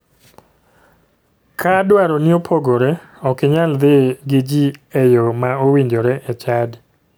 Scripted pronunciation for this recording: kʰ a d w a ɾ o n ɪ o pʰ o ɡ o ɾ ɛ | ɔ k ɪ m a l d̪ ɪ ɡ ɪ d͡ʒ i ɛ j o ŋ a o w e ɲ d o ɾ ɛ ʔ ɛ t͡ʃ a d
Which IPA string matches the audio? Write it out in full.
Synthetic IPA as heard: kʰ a d w a ɾ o n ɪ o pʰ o ɡ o ɾ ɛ | ɔ k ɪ ɲ a l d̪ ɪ ɡ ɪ d͡ʒ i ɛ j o m a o w i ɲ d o ɾ ɛ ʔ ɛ t͡ʃ a d